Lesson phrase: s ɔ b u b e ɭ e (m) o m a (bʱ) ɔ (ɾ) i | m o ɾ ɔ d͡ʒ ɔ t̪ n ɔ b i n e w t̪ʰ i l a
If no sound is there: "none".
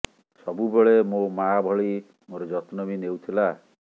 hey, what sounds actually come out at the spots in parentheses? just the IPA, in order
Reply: m, bʱ, ɭ

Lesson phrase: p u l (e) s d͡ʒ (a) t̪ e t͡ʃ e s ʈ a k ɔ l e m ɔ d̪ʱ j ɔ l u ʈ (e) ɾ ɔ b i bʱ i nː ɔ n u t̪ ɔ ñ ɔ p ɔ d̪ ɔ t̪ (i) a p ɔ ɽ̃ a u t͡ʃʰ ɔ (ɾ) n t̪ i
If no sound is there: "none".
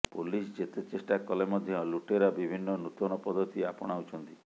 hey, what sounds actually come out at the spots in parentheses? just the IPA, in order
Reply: i, e, e, i, none

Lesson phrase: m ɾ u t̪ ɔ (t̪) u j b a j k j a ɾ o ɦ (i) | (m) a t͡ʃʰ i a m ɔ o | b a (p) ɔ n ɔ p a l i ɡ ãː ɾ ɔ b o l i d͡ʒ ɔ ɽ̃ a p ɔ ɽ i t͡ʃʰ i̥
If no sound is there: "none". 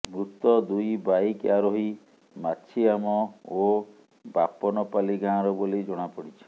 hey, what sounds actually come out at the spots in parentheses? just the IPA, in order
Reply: d̪, i, m, p

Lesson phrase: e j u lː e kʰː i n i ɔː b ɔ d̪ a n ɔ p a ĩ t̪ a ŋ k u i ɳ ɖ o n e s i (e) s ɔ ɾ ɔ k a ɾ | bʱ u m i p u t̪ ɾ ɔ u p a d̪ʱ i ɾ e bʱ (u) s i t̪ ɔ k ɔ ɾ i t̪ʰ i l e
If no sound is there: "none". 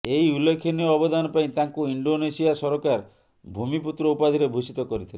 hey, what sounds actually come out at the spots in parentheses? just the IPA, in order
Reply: a, u

